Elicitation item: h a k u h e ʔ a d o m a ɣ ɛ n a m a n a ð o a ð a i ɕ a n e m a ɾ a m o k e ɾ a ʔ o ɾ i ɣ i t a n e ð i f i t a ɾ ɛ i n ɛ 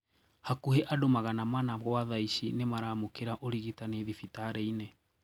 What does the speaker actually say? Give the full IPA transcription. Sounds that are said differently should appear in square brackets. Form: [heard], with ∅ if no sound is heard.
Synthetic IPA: h a k u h e ʔ a d o m a ɣ [a] n a m a n a [ɣ] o a ð a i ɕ [i] n e m a ɾ a m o k e ɾ a ʔ o ɾ i ɣ i t a n e ð i f i t a ɾ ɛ i n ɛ